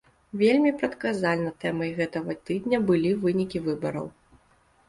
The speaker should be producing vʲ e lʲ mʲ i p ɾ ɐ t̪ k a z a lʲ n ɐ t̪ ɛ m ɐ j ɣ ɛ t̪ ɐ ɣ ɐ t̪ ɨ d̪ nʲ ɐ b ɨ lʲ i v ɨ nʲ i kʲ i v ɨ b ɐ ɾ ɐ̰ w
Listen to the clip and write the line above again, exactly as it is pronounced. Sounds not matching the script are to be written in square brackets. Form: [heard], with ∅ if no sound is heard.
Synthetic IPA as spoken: vʲ e lʲ mʲ i p ɾ ɐ t̪ k a z a lʲ n ɐ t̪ ɛ m ɐ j ɣ ɛ t̪ ɐ ɣ ɐ t̪ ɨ d̪ nʲ ɐ b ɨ lʲ i v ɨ nʲ i kʲ i v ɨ b ɐ ɾ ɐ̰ w